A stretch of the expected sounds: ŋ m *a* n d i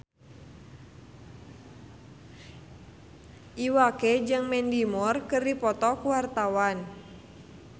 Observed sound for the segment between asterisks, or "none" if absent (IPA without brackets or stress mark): ɛ